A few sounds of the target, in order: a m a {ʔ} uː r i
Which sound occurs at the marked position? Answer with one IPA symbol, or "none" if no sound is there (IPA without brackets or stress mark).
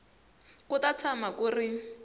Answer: k